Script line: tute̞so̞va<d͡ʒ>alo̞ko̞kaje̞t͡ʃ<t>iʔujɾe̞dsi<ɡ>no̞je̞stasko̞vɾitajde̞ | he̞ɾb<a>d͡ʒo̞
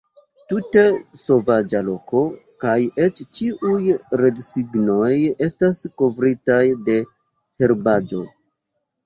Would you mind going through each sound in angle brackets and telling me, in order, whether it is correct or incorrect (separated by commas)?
correct, incorrect, correct, correct